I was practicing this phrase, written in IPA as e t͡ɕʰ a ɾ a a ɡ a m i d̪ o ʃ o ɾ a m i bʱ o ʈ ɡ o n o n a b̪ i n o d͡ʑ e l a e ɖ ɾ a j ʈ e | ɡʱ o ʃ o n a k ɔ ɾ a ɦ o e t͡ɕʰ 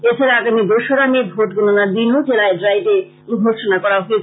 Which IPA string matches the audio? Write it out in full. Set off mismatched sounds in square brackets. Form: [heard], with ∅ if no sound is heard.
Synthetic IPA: e t͡ɕʰ a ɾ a a ɡ a m i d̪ o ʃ o ɾ a m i bʱ o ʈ ɡ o n o n a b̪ i n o d͡ʑ e l a e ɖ ɾ a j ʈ e | ɡʱ o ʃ o n a k ɔ ɾ a ɦ o e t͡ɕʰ